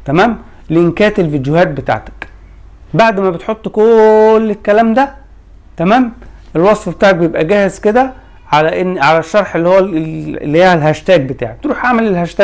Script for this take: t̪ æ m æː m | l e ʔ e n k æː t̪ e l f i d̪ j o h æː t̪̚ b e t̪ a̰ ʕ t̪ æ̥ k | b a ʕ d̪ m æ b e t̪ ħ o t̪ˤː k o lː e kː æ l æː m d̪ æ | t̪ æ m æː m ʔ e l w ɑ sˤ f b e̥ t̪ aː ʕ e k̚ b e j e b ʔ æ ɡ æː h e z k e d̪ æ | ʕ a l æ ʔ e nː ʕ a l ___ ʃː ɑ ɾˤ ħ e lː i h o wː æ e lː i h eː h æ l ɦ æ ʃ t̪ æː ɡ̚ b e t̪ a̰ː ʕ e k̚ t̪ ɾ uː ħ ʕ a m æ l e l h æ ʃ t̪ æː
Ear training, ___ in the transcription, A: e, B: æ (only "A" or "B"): B